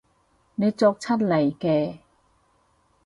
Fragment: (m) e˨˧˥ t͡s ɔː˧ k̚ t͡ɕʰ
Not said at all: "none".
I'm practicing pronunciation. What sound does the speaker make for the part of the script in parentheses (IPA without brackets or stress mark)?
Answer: n